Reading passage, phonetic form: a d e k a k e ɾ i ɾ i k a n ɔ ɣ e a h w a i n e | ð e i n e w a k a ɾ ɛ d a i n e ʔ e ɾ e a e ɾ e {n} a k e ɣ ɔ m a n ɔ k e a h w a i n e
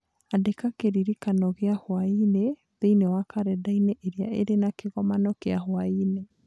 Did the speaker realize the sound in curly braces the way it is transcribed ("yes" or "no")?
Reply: yes